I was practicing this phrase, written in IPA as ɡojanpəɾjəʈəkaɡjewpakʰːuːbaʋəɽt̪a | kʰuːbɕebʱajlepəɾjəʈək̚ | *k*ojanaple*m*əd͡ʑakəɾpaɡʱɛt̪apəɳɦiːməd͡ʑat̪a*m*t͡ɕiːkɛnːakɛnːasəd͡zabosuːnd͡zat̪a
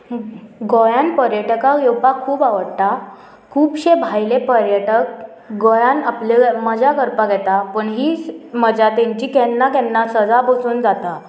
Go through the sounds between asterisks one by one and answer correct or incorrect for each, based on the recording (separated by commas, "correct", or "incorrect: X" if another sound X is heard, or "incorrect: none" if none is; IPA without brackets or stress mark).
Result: incorrect: ɡ, correct, incorrect: ɲ